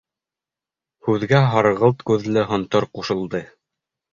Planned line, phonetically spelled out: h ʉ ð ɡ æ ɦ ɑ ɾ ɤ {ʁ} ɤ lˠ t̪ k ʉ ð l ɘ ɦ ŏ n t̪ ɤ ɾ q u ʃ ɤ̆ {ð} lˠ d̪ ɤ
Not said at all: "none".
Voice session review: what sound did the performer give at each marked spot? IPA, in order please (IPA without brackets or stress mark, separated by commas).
ʁ, none